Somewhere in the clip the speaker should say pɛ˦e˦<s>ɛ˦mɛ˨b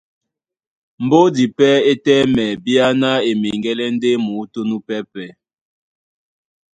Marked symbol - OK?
no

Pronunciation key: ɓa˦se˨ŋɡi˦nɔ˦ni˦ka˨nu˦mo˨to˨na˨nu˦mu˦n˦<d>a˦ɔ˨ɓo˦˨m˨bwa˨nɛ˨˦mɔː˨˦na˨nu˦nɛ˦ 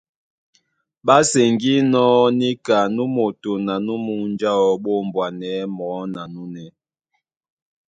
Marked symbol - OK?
no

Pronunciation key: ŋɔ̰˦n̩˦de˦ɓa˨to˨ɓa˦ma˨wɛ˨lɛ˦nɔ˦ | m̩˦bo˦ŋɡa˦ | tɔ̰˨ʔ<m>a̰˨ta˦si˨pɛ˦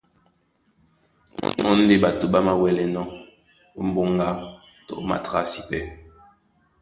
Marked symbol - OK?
yes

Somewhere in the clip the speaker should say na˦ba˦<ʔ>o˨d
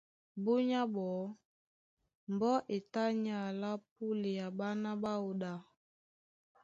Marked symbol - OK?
no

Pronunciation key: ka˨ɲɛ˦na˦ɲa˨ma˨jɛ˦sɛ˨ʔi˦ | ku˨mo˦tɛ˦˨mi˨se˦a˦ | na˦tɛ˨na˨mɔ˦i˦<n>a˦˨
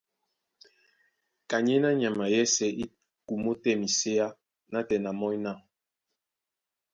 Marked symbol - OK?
yes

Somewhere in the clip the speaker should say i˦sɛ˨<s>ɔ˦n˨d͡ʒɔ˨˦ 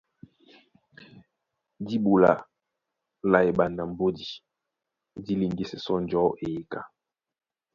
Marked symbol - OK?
yes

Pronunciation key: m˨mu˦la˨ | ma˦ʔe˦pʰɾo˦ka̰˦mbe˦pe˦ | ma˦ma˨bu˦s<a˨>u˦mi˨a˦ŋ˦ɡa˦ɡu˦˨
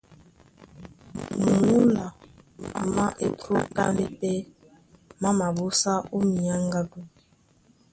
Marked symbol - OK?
no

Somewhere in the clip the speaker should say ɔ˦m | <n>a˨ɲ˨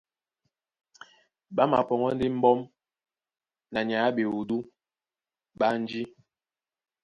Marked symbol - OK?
yes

